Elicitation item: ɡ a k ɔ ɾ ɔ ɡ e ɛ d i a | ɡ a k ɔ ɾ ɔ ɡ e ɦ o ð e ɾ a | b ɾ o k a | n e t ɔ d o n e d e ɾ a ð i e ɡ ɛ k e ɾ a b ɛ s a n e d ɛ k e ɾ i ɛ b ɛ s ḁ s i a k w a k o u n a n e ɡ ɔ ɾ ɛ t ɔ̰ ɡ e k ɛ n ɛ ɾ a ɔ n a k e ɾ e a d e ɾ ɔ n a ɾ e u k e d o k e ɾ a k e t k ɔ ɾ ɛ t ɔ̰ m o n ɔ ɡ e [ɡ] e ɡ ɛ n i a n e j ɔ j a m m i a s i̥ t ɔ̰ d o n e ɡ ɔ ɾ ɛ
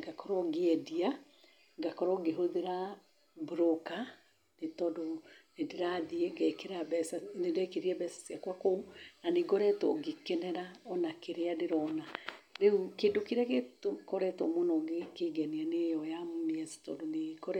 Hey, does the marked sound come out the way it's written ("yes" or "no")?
no